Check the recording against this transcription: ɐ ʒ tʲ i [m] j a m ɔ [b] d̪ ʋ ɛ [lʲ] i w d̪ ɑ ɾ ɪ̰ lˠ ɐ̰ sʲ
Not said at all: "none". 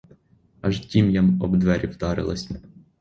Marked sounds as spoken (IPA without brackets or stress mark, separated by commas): m, b, ɾʲ